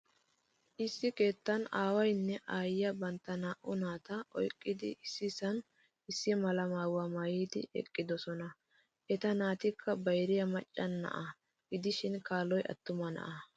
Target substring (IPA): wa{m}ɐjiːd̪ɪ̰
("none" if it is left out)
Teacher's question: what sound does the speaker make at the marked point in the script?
m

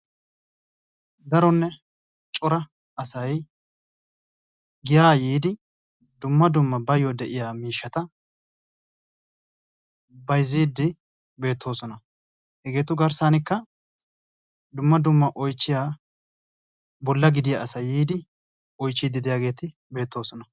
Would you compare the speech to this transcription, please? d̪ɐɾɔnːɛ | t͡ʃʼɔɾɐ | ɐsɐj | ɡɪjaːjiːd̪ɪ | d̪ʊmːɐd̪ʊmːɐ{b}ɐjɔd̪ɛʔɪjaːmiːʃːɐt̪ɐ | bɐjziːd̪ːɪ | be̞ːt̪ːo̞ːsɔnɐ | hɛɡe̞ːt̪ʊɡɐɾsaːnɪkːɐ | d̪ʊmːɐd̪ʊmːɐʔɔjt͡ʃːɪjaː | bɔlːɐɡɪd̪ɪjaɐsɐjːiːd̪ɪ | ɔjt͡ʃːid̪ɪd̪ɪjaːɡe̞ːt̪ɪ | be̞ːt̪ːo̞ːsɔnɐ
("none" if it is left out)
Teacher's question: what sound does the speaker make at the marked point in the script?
b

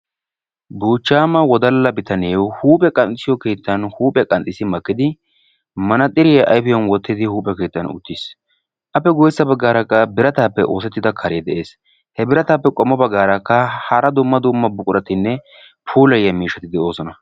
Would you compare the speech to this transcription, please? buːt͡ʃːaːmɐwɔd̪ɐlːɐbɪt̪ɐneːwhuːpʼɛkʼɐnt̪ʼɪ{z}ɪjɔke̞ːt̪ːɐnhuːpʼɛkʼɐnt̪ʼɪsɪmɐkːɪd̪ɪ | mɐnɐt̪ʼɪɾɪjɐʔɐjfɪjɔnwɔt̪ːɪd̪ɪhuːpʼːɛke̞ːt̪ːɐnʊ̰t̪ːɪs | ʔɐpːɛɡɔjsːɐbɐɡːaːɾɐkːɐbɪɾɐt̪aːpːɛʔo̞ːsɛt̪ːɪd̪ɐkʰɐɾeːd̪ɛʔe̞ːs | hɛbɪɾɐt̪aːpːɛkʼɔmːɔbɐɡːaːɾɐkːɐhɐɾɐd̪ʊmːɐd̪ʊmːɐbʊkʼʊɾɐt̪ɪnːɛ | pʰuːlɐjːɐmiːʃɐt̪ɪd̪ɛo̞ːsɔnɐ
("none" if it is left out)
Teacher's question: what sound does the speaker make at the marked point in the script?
s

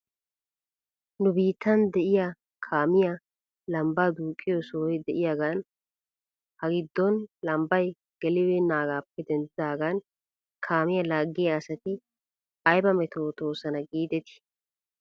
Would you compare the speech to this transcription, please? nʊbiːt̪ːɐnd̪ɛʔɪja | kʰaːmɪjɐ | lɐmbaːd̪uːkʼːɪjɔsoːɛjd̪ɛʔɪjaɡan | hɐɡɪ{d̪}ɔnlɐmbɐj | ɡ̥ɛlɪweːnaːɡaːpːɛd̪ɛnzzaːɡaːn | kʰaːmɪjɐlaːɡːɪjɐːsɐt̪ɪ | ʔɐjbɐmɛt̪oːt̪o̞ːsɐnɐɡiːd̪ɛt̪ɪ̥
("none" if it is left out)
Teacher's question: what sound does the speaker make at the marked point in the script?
d̪ː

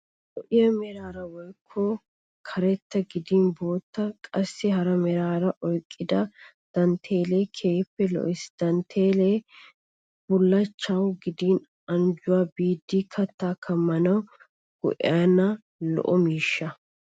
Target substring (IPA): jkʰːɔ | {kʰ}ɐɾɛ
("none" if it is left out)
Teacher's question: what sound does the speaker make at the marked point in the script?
kʰ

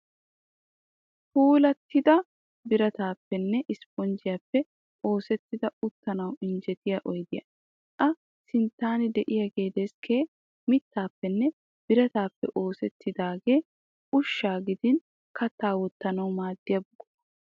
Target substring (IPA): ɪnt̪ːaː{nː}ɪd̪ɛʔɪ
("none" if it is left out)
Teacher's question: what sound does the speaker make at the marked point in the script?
n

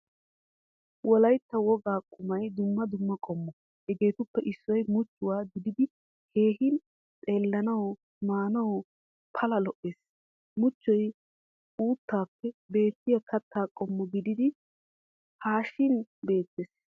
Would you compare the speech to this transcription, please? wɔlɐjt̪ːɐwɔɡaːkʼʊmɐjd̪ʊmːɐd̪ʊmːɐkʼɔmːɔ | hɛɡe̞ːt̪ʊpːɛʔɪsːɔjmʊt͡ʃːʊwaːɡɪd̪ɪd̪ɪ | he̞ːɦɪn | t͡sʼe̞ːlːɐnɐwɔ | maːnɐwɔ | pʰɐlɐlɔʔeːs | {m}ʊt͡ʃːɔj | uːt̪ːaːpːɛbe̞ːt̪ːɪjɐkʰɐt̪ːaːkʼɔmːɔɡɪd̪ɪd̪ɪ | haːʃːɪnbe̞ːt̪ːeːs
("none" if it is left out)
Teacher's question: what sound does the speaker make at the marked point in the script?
m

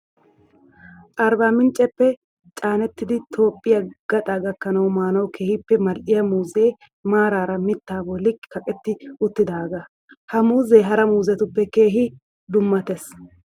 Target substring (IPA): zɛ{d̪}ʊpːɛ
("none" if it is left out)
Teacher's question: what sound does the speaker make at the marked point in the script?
t̪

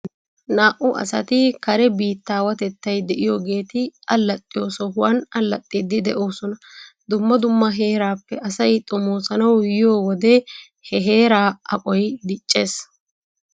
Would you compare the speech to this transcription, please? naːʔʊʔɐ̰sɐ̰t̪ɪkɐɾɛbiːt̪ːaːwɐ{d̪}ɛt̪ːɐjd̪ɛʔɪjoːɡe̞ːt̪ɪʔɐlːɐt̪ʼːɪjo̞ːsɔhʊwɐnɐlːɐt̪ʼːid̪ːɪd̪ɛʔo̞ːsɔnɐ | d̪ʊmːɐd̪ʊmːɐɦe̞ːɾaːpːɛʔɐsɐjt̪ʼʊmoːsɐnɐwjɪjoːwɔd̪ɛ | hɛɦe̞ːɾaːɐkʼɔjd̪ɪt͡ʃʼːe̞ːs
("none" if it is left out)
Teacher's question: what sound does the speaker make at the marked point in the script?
t̪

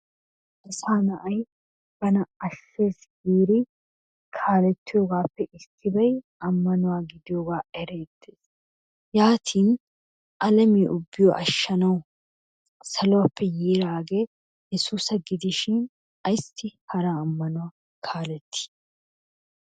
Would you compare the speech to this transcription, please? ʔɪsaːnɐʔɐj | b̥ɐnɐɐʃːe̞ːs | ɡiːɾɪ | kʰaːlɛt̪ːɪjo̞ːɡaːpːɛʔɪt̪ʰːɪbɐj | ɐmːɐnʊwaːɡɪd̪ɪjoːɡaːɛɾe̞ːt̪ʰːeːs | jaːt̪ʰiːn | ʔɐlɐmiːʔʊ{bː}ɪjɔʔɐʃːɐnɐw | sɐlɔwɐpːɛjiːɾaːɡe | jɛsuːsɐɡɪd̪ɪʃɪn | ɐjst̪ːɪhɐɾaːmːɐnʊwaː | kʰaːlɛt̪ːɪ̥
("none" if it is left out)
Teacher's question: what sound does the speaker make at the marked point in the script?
bː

